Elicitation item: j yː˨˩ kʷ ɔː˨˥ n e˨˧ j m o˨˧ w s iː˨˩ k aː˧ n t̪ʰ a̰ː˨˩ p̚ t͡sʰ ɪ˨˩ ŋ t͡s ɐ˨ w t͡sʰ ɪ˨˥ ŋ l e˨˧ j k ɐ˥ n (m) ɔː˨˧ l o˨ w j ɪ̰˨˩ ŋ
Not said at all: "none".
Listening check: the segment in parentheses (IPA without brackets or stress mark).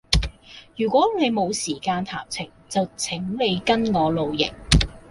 ŋ